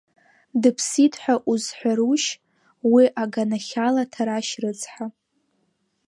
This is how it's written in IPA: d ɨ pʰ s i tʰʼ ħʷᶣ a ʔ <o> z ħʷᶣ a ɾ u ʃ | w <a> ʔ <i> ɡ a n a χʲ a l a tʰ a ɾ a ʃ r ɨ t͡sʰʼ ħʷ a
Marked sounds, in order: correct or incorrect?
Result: incorrect: u, incorrect: i, incorrect: a

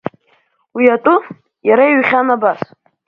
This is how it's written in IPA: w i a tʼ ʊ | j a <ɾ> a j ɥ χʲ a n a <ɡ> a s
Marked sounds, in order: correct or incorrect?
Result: correct, incorrect: b

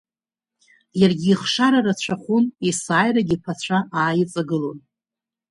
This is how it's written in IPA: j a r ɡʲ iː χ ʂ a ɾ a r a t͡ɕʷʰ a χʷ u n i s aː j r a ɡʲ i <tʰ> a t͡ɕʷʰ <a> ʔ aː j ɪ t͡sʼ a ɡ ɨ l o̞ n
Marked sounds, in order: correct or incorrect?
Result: incorrect: pʰ, correct

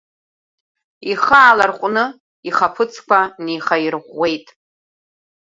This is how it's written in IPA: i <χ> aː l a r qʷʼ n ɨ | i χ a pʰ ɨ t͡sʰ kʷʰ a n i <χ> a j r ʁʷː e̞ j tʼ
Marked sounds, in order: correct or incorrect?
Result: correct, correct

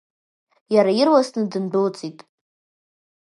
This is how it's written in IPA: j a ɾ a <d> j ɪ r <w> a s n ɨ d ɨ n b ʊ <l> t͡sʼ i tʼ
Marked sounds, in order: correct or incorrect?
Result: incorrect: none, correct, correct

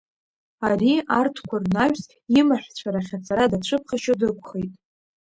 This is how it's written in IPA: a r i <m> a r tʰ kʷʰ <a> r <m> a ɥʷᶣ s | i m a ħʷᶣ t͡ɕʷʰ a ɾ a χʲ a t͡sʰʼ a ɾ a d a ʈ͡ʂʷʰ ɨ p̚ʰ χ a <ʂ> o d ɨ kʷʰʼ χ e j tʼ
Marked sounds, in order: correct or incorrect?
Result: incorrect: none, correct, incorrect: n, incorrect: ʃ

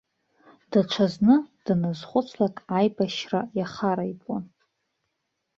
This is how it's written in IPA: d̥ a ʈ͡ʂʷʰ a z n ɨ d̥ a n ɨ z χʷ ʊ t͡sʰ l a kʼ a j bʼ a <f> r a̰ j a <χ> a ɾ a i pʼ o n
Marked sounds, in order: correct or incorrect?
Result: incorrect: ʃ, correct

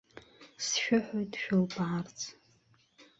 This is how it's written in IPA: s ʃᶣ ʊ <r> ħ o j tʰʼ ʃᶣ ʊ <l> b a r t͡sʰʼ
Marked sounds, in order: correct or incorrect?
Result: incorrect: none, correct

